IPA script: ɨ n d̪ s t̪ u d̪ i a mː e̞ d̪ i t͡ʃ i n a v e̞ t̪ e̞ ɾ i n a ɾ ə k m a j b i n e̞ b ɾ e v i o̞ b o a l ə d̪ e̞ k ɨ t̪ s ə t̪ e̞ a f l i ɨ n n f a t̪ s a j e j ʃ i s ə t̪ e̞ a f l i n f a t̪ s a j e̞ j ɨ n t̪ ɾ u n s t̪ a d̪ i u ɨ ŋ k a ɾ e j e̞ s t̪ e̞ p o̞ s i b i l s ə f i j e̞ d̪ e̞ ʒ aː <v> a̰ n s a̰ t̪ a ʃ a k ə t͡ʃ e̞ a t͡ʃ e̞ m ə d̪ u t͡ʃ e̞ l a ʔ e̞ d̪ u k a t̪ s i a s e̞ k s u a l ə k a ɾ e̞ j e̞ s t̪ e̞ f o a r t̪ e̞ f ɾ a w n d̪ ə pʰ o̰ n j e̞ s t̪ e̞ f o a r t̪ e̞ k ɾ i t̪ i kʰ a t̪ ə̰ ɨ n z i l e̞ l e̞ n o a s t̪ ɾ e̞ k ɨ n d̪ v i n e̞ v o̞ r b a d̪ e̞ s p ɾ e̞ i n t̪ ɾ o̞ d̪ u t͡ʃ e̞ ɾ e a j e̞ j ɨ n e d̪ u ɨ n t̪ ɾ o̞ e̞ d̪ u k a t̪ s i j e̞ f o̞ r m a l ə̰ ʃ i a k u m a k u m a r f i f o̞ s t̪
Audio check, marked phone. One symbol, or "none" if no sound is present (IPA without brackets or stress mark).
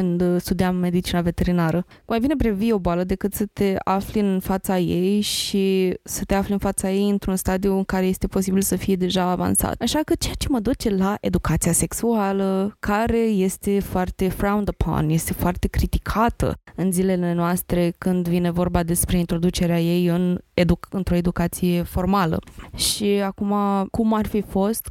v